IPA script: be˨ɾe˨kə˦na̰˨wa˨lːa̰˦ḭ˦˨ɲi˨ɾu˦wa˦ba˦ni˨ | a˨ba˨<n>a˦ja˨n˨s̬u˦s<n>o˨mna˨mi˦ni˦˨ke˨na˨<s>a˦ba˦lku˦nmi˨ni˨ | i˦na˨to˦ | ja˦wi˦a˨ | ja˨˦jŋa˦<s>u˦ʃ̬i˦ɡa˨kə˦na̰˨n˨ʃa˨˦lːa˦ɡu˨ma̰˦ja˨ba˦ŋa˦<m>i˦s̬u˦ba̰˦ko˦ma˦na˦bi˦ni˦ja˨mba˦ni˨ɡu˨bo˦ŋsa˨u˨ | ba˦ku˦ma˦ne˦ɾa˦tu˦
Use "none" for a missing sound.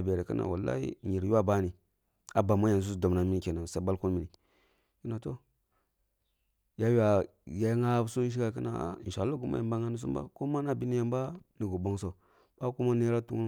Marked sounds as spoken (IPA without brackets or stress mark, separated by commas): m, d, s, s, n